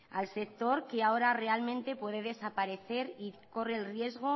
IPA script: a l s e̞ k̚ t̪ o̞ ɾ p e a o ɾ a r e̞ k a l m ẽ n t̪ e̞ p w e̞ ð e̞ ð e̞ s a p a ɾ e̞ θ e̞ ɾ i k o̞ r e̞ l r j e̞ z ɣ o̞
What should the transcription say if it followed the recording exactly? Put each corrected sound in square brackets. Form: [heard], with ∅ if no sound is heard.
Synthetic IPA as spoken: a l s e̞ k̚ t̪ o̞ ɾ [k] e a o ɾ a r e̞ [∅] a l m ẽ n t̪ e̞ p w e̞ ð e̞ ð e̞ s a p a ɾ e̞ θ e̞ ɾ i k o̞ r e̞ l r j e̞ z ɣ o̞